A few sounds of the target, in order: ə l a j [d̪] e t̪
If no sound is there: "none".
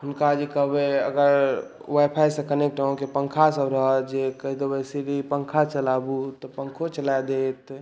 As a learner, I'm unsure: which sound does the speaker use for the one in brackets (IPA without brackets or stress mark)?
d̪